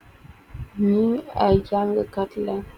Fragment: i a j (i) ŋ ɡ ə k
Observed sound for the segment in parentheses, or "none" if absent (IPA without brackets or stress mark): a